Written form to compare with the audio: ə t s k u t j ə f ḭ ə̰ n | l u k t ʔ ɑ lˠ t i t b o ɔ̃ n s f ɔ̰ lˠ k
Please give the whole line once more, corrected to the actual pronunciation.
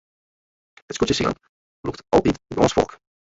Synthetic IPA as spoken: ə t s k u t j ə s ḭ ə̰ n | l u k t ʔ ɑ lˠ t i t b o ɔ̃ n s f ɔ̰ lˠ k